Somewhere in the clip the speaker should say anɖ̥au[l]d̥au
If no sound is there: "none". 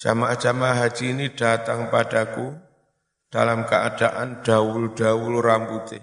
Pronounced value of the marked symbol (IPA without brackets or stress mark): l